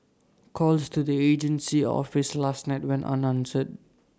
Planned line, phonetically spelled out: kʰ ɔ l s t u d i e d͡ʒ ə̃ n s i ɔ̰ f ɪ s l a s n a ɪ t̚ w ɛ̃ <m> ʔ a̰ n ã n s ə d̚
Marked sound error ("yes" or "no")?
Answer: yes